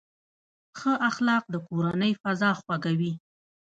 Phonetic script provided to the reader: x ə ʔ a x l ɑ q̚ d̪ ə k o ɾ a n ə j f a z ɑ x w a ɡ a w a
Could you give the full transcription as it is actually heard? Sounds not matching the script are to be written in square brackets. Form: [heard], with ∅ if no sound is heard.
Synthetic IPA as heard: x ə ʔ a x l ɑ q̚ d̪ ə k o ɾ a n ə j f a z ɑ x w a ɡ a w [i]